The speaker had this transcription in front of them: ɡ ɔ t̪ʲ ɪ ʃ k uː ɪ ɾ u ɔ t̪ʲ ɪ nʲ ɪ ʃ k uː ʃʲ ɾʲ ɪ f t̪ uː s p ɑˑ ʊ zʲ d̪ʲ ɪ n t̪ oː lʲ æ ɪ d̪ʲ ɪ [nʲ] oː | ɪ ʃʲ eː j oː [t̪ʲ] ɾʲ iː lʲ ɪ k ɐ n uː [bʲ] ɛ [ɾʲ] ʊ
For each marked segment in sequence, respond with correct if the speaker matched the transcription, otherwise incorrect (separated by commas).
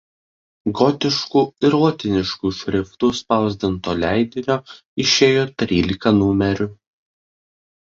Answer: correct, correct, incorrect, correct